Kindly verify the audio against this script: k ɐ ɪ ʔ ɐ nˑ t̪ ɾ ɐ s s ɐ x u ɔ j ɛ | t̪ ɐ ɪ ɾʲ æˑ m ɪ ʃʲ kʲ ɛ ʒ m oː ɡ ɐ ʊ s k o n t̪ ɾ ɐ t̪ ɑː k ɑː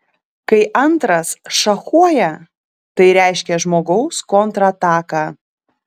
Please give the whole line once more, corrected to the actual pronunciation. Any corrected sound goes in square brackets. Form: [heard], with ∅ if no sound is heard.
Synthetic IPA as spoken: k ɐ ɪ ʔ ɐ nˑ t̪ ɾ ɐ s [ʃ] ɐ x u ɔ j ɛ | t̪ ɐ ɪ ɾʲ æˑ [∅] ɪ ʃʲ kʲ ɛ ʒ m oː ɡ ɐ ʊ s k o n t̪ ɾ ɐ t̪ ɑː k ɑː